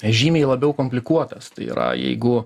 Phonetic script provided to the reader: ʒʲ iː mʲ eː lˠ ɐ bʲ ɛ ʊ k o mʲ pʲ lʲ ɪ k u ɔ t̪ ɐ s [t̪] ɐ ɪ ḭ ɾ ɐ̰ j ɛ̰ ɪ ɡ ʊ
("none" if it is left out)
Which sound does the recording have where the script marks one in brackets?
t̪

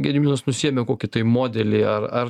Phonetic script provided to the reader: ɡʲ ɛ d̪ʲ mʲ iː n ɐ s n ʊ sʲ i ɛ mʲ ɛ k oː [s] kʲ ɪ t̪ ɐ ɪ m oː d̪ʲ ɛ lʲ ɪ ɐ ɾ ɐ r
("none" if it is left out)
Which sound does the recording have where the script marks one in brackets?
none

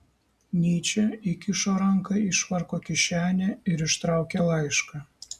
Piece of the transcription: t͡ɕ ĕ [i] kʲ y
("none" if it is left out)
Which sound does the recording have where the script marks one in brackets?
i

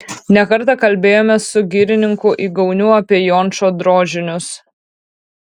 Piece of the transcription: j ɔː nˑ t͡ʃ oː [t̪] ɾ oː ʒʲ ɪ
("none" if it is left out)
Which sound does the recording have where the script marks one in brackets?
d̪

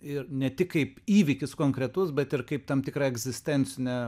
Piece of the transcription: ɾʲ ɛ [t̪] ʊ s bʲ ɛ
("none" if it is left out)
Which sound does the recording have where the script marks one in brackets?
t̪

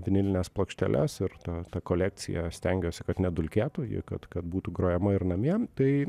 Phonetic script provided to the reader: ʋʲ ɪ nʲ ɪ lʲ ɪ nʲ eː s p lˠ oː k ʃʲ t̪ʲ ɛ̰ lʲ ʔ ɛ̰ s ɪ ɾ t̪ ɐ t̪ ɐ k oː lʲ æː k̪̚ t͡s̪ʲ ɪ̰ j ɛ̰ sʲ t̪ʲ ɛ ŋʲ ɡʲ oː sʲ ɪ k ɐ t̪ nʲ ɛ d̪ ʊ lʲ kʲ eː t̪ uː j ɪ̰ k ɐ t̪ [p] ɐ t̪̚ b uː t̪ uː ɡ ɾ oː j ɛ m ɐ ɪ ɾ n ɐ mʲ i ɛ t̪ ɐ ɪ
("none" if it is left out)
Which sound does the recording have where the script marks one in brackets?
k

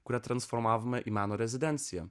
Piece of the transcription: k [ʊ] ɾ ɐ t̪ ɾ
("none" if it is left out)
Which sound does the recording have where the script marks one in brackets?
u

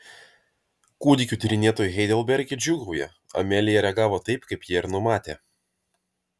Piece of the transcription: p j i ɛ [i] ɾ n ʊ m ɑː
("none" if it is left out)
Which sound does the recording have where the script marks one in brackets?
ɪ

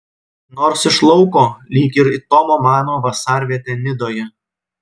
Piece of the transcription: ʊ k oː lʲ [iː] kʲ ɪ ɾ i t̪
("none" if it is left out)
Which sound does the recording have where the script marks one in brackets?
iː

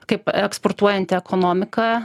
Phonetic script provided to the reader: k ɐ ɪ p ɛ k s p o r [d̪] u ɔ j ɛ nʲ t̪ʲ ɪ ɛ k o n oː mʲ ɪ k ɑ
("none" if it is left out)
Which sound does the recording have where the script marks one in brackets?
t̪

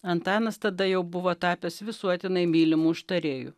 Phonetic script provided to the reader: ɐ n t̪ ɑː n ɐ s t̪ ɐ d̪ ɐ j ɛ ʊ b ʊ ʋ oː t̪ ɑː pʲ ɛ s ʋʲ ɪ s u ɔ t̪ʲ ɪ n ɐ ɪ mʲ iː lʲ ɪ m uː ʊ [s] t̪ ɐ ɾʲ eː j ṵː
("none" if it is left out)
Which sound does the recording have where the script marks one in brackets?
ʃ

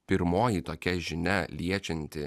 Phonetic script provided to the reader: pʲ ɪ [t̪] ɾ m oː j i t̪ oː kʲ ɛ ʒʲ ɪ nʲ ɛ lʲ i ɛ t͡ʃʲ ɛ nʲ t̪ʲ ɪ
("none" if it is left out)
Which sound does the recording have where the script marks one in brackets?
none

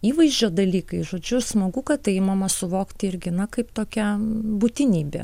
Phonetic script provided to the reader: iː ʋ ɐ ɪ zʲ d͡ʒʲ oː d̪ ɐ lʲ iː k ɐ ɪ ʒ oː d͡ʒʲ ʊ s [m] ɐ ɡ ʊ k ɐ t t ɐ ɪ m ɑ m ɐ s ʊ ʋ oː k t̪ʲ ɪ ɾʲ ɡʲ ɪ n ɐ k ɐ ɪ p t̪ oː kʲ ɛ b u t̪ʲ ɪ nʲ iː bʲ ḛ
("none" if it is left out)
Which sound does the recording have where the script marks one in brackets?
m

